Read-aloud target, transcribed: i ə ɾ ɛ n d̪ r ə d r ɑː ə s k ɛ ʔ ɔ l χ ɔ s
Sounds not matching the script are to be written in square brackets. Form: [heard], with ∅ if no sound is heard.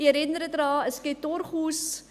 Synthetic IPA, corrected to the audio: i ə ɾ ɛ n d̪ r ə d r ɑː ə s k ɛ [t] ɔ [r] χ [u] s

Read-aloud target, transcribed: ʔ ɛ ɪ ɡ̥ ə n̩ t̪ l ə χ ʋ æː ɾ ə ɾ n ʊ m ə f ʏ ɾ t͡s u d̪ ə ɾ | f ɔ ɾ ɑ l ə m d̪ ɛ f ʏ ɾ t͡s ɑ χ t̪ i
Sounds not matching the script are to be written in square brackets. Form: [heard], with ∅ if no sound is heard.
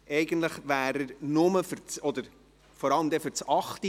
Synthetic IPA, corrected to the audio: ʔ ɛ ɪ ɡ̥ ə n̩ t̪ l ə χ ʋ æː ɾ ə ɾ n ʊ m ə f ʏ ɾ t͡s [ɔ] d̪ ə ɾ | f ɔ ɾ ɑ l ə m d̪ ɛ f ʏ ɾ t͡s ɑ χ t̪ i

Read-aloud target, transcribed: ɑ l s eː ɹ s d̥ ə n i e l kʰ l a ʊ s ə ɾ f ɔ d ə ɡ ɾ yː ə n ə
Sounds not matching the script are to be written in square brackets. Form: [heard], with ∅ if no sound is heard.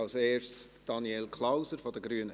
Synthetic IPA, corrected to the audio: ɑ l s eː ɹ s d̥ [ɑ] n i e l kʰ l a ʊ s ə ɾ f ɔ d ə ɡ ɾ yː ə n ə

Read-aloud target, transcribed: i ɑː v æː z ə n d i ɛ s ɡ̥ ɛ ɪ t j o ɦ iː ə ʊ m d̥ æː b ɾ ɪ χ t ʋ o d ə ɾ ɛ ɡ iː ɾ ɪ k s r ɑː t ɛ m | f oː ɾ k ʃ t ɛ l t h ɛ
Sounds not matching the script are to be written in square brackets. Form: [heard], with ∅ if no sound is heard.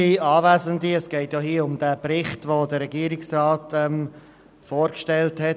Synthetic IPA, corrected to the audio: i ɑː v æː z ə n d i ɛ s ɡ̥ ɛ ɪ t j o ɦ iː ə ʊ m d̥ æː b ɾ ɪ χ t ʋ o d ə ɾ ɛ ɡ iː ɾ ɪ k s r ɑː t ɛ m | f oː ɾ k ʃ t ɛ l t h ɛ

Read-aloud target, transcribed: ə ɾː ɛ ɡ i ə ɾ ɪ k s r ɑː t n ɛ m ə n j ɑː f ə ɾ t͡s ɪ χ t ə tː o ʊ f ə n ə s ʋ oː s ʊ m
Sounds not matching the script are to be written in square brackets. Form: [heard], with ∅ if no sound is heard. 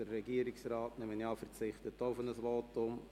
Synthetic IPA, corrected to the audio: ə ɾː ɛ ɡ i ə ɾ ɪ k s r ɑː t n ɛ m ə n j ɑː f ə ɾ t͡s ɪ χ t ə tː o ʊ f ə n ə s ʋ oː [t] ʊ m

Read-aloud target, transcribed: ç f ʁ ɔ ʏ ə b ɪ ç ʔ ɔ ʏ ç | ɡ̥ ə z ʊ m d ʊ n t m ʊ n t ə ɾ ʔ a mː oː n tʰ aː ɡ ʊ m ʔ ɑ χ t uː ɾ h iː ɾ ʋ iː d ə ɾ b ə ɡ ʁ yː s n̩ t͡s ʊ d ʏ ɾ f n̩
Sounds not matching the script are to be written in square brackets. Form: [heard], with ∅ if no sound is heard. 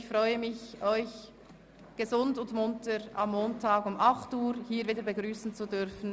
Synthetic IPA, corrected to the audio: ç f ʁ ɔ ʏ ə [m] ɪ ç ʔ ɔ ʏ ç | ɡ̥ ə z ʊ [n] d ʊ n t m ʊ n t ə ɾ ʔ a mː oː n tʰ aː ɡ ʊ m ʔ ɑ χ t uː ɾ h iː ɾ [v] iː d ə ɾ b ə ɡ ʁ yː s n̩ t͡s [u] d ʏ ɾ f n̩

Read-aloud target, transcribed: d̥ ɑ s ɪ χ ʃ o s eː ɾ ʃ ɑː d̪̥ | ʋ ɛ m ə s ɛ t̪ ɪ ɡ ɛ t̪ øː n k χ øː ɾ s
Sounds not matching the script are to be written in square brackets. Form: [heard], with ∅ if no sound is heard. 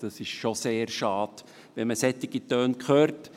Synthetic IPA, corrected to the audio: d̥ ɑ s ɪ [ʃ] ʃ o s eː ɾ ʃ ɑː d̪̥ | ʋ ɛ m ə s ɛ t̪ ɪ ɡ [i] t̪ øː n k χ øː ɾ [t]

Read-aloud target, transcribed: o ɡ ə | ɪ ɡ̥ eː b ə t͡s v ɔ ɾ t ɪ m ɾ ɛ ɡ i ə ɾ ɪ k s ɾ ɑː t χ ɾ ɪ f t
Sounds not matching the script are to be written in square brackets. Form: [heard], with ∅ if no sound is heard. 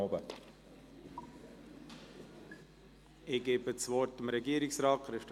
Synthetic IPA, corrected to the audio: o [b] ə | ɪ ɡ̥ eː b ə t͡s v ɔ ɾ t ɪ m ɾ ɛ ɡ i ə ɾ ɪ k s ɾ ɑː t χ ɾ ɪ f t

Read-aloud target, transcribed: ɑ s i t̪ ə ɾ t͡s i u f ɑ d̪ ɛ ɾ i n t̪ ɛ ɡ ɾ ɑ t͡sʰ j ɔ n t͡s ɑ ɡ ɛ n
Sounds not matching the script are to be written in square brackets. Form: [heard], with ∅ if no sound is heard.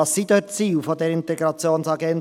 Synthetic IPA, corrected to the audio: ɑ s i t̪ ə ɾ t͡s i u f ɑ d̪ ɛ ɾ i n t̪ ɛ ɡ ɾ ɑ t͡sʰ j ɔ n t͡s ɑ ɡ ɛ n

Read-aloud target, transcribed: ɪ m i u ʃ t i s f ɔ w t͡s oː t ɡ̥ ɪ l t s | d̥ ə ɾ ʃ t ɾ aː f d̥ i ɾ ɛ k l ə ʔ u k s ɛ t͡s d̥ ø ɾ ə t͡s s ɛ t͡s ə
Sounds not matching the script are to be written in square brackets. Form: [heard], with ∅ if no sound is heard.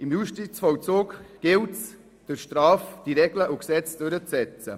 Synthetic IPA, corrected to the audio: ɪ m [j] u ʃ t i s f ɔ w t͡s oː [k] ɡ̥ ɪ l t s | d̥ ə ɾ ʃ t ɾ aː f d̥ i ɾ ɛ [ɡ] l ə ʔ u k s ɛ t͡s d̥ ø ɾ ə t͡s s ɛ t͡s ə

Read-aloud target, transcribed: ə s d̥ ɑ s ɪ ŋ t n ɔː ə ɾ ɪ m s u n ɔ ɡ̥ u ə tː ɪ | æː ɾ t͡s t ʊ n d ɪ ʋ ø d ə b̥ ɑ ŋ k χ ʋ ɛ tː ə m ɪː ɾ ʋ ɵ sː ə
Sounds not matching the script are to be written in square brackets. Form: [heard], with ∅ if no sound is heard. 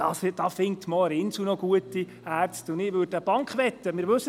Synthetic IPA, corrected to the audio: [ɑ] s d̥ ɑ [f] ɪ ŋ t [m] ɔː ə ɾ ɪ [n] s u n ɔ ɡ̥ u ə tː [i] | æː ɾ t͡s t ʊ n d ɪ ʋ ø d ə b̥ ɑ ŋ k χ ʋ ɛ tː ə m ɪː ɾ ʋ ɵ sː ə

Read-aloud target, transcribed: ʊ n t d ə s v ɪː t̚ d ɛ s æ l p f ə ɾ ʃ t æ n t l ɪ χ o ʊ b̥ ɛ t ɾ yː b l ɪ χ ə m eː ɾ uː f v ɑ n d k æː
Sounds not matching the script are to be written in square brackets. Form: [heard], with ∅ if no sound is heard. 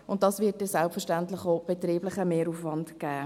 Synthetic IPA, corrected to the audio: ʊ n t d [ɑ] s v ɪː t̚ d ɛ s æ l p f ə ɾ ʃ t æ n t l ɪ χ o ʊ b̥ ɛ t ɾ [iː] b l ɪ χ ə m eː ɾ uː f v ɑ n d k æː

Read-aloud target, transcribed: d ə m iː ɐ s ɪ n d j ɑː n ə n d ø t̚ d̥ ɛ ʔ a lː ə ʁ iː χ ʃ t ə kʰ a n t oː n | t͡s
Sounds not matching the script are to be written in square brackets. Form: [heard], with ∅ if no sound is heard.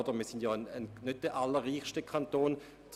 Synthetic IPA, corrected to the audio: d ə m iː ɐ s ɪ n d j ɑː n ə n [n] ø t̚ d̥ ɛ ʔ a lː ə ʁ iː χ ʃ t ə kʰ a n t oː n | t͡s

